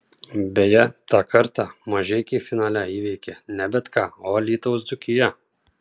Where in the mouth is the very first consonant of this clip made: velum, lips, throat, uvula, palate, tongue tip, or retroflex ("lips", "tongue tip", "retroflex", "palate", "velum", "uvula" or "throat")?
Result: lips